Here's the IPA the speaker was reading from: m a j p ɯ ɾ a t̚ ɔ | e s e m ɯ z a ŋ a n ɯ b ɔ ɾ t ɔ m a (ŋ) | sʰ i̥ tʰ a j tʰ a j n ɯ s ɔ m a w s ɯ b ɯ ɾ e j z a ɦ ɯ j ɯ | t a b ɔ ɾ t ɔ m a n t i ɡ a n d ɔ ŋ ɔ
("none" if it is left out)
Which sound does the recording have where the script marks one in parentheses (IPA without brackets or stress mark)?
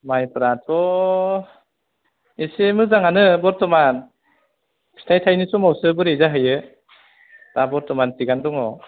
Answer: n